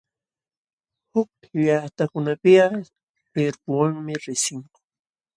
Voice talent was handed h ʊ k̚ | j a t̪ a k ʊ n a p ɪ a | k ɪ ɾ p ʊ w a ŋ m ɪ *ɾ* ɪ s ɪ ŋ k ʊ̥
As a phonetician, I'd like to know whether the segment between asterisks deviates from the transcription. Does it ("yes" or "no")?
no